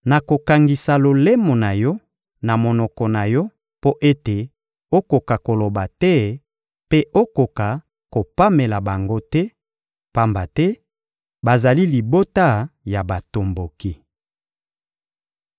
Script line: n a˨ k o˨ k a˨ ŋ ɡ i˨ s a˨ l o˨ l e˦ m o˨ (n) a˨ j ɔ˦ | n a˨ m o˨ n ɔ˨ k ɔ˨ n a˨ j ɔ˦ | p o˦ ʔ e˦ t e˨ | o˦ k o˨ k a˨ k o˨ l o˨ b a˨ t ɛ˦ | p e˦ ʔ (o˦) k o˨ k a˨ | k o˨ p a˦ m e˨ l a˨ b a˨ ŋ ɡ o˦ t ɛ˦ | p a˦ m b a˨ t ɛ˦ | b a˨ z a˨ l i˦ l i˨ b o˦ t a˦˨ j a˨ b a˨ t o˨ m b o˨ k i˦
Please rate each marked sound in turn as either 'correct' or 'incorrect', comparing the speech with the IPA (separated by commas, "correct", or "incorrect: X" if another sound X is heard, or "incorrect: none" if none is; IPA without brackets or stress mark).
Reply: correct, correct